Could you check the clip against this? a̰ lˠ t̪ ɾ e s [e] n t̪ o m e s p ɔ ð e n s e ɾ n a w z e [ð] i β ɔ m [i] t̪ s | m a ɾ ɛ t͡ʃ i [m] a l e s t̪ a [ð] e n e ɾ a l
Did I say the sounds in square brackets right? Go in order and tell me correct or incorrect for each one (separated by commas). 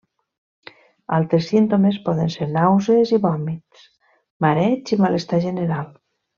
incorrect, incorrect, correct, correct, incorrect